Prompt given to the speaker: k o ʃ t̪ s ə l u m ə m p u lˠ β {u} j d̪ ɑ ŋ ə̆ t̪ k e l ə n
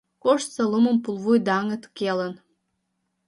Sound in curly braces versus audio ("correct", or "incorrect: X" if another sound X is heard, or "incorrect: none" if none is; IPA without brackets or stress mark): correct